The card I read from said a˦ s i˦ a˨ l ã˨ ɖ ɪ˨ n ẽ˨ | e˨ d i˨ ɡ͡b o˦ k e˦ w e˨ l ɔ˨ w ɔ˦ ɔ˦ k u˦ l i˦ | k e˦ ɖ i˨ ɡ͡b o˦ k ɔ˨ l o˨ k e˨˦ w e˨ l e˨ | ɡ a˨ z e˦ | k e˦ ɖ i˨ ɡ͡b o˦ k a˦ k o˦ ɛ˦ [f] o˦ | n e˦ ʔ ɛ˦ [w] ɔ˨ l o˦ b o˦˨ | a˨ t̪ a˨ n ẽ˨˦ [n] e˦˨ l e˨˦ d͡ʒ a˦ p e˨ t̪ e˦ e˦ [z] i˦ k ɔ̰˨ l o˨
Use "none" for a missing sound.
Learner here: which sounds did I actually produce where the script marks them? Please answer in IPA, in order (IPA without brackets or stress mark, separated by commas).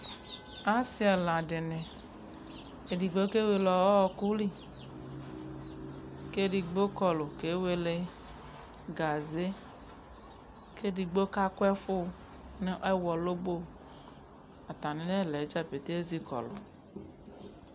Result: f, w, n, z